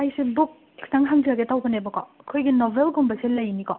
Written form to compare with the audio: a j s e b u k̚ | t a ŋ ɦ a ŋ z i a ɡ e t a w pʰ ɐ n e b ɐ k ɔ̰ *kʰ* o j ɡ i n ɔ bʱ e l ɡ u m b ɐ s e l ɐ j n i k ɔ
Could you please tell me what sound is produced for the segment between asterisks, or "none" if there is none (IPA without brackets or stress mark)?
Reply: kʰ